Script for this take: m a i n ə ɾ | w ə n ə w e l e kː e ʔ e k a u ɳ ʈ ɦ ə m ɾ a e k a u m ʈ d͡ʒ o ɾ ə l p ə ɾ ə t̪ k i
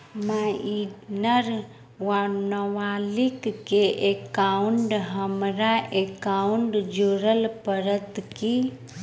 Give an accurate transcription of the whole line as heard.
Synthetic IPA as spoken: m a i n ə ɾ | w a n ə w a l i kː e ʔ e k a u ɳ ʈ ɦ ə m ɾ a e k a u ɳ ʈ d͡ʒ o ɾ ə l p ə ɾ ə t̪ k i